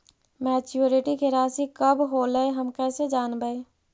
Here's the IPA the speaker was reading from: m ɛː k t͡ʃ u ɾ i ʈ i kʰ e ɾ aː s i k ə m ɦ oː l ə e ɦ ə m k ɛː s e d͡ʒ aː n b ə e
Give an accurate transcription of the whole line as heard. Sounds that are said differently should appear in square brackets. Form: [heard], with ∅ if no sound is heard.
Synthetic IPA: m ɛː [∅] t͡ʃ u ɾ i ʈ i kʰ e ɾ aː s i k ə [b] ɦ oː l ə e ɦ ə m k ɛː s e d͡ʒ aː n b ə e